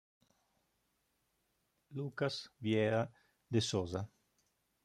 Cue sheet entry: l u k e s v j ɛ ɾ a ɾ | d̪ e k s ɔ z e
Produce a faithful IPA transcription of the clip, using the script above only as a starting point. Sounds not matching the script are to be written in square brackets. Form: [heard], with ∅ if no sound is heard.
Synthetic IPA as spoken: l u k [a] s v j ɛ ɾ a [∅] | d̪ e [∅] s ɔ z [a]